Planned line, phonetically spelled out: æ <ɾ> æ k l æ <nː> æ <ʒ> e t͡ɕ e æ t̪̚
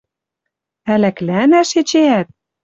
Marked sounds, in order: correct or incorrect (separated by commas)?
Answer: incorrect, incorrect, incorrect